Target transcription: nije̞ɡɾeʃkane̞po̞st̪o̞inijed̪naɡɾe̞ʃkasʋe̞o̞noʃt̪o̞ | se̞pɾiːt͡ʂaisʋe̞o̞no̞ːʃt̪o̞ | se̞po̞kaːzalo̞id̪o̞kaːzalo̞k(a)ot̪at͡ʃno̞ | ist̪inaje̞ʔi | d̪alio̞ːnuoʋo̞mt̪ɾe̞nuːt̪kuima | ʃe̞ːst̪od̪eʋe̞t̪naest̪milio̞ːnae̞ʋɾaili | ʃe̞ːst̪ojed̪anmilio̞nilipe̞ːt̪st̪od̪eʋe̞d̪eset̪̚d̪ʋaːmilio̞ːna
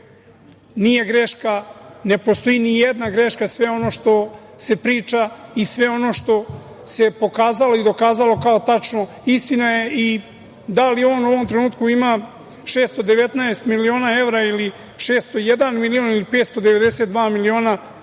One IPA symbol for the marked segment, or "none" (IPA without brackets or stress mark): a